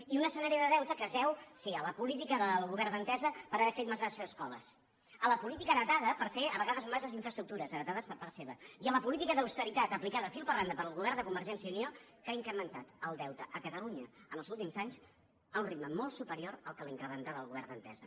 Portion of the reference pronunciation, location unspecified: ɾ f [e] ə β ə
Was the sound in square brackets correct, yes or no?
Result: yes